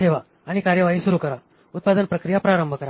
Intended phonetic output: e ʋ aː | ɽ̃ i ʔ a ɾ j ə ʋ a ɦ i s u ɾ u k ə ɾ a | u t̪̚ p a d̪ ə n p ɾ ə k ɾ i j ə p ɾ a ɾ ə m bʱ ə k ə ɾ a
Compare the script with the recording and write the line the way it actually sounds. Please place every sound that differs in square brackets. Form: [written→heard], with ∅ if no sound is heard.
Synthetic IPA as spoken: e ʋ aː | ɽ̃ i [ʔ→k] a ɾ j ə ʋ a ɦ i s u ɾ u k ə ɾ a | u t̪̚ p a d̪ ə n p ɾ ə k ɾ i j [ə→a] p ɾ a ɾ ə m bʱ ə k ə ɾ a